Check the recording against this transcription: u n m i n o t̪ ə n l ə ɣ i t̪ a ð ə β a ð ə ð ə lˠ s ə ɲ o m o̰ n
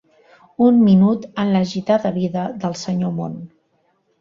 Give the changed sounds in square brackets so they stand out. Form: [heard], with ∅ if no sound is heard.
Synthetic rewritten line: u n m i n [u] t̪ ə n l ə [ʒ] i t̪ a ð ə β [i] ð ə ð ə lˠ s ə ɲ o m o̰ n